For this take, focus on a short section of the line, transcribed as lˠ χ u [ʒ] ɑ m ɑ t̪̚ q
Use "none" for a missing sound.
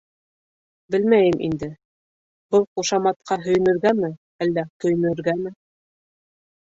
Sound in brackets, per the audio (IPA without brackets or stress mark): ʃ